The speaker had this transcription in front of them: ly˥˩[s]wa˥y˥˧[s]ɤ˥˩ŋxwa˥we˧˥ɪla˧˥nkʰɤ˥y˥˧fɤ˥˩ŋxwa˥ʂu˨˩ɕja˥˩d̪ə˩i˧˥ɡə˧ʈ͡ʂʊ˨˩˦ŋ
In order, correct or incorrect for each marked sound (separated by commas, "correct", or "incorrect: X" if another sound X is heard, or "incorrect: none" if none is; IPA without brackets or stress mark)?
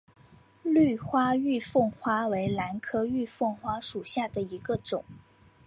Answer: incorrect: x, incorrect: f